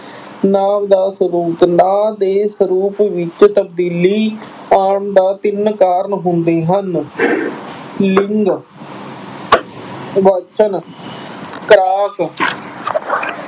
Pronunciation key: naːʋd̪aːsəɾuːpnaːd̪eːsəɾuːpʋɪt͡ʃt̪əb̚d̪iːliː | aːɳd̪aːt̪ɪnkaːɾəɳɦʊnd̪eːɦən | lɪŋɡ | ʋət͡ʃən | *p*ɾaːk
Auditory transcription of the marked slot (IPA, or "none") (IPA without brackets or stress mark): k